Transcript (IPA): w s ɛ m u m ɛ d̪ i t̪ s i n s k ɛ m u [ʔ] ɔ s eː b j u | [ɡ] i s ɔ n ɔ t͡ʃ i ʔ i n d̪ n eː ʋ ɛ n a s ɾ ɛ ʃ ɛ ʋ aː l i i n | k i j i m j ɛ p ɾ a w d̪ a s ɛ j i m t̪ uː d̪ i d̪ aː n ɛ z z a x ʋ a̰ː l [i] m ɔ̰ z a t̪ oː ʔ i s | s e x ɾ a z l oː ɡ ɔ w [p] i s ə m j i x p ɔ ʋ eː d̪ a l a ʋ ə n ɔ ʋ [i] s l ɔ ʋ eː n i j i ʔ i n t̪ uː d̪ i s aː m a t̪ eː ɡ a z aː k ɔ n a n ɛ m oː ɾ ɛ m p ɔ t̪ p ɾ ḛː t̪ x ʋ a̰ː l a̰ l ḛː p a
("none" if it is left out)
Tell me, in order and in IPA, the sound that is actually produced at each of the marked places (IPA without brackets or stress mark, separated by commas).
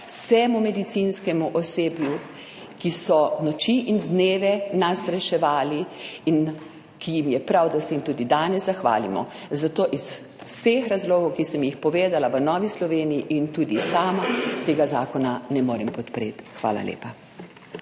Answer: ʔ, k, i, k, i